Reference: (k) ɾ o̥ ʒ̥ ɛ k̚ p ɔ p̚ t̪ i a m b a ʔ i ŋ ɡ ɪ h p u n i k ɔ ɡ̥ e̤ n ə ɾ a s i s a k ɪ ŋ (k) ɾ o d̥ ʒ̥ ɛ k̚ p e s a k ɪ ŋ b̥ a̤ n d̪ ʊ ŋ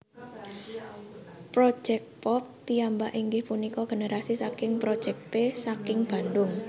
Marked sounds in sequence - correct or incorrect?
incorrect: p, incorrect: p

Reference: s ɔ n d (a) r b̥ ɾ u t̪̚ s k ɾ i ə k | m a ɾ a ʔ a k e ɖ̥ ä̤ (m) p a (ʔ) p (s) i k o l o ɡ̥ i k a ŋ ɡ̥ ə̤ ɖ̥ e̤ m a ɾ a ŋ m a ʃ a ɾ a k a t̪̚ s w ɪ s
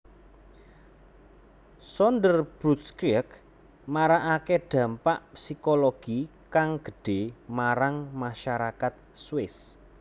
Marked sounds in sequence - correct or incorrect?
incorrect: ə, correct, correct, correct

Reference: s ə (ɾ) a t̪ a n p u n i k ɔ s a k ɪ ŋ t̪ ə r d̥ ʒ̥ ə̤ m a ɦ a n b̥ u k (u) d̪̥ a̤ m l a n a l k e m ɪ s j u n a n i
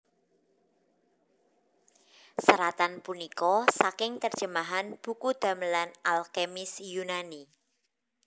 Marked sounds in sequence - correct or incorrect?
correct, correct

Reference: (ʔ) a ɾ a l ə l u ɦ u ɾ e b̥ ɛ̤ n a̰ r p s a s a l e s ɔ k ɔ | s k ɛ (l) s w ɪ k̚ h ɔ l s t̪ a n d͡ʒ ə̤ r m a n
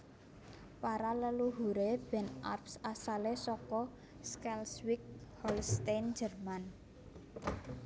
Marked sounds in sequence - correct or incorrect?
incorrect: p, correct

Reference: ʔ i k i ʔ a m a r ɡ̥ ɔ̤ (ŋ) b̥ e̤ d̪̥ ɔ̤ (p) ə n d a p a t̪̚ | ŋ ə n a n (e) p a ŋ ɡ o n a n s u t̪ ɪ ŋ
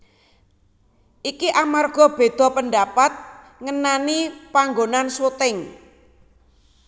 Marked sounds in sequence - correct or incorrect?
incorrect: none, correct, incorrect: i

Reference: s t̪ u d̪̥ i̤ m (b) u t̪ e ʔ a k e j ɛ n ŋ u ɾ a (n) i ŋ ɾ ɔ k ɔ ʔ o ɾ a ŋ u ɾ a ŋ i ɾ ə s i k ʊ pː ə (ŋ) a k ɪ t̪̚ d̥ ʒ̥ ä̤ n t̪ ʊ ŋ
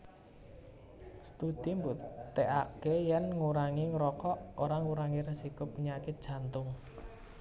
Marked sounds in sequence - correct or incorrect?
correct, incorrect: ŋ, incorrect: ɲ

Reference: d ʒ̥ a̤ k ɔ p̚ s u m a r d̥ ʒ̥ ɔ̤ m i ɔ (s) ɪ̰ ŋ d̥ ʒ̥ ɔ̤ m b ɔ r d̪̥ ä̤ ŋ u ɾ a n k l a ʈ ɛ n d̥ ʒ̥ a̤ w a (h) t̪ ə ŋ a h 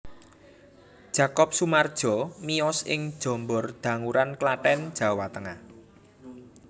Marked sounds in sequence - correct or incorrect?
correct, incorrect: none

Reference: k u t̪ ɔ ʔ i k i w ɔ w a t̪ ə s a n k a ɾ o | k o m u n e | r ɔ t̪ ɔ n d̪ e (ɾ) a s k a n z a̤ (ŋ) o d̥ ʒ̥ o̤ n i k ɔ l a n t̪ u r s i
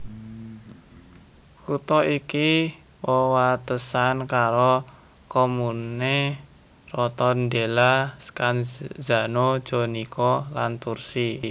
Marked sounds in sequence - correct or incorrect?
incorrect: l, incorrect: n

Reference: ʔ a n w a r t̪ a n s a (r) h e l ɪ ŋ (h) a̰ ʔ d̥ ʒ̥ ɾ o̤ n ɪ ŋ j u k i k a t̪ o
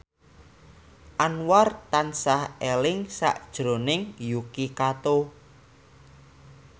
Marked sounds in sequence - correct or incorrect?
incorrect: none, incorrect: s

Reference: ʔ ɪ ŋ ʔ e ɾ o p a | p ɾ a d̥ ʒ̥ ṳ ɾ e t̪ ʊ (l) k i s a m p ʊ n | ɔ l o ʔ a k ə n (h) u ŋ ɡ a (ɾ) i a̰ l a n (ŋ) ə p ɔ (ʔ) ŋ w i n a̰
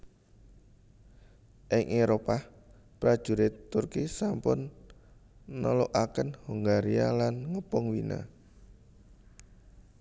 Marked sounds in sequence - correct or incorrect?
incorrect: r, correct, correct, correct, incorrect: none

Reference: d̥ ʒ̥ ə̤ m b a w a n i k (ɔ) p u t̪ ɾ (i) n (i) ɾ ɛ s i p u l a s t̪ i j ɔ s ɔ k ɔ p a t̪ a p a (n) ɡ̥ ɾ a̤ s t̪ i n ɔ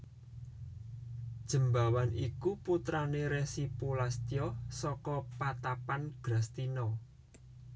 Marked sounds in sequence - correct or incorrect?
incorrect: u, incorrect: a, incorrect: e, correct

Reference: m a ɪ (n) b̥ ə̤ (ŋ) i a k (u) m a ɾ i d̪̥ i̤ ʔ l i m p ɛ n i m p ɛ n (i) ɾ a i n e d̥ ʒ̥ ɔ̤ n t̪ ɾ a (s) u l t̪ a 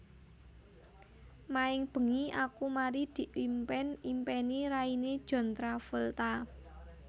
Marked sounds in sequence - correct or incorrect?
incorrect: ŋ, correct, correct, correct, incorrect: f

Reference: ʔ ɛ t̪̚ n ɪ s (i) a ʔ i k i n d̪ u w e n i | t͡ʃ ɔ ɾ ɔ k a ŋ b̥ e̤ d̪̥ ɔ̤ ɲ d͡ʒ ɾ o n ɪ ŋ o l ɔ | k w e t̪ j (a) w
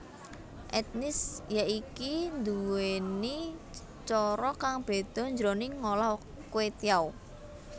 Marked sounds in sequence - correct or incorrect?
incorrect: j, correct

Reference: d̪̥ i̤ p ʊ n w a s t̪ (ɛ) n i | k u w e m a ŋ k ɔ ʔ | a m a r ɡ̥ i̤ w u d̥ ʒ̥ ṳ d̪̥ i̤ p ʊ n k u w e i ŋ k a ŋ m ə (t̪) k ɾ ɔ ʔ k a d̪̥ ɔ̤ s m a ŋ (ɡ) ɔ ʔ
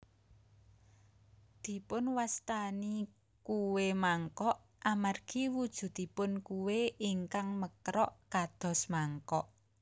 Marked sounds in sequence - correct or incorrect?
incorrect: a, incorrect: none, incorrect: k

